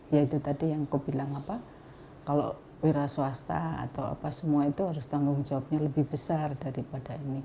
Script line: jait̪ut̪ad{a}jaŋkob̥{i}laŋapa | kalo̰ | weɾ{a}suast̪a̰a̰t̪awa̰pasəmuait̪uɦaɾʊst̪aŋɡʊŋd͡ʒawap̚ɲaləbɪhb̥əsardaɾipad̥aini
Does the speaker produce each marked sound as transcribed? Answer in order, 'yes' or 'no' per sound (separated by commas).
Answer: no, yes, yes